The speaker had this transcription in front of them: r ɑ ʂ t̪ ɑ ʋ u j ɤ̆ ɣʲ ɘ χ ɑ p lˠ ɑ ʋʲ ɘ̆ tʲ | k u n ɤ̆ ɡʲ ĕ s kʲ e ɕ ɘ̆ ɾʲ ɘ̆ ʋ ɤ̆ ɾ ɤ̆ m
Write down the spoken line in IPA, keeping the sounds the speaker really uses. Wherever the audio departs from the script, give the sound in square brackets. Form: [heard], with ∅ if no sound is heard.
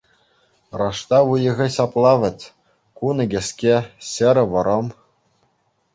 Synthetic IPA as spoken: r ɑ ʂ t̪ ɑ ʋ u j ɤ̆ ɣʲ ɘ [ɕ] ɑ p lˠ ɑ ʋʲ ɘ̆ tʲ | k u n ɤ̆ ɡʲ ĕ s kʲ e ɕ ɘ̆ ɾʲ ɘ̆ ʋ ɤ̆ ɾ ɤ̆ m